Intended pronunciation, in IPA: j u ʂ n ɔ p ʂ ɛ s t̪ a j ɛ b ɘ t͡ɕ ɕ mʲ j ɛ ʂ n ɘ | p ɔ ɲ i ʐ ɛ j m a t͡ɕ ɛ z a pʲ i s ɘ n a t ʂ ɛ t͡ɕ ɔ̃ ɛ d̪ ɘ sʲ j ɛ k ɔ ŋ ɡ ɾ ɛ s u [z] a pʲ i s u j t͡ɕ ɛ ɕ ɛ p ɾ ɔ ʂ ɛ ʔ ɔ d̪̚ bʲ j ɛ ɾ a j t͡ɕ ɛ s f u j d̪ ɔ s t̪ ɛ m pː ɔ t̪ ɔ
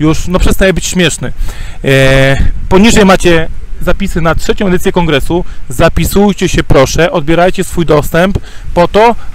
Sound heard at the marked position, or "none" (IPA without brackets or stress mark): z